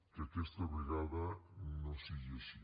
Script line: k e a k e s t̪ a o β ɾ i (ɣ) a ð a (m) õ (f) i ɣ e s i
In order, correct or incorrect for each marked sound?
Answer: correct, incorrect: n, incorrect: s

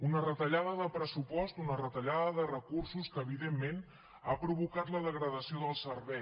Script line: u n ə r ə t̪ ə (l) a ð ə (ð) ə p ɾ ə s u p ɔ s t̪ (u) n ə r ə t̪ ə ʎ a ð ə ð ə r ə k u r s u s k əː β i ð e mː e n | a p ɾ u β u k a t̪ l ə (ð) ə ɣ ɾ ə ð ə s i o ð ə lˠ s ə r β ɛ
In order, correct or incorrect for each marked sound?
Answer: incorrect: ʎ, correct, correct, correct

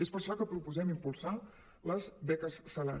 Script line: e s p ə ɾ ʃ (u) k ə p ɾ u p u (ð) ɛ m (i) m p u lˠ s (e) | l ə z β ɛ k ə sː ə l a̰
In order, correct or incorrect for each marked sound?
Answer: incorrect: ɔ, incorrect: z, correct, incorrect: a

